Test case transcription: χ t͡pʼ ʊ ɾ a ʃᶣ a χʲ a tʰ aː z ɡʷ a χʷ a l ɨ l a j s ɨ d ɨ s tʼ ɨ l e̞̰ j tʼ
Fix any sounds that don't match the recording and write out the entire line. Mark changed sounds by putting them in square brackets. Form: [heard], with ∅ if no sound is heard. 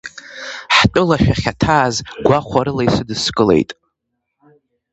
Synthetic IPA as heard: [ħ] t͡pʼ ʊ [l] a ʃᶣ a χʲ a tʰ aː z ɡʷ a χʷ a [ɾ] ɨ l a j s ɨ d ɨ s [kʼ] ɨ l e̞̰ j tʼ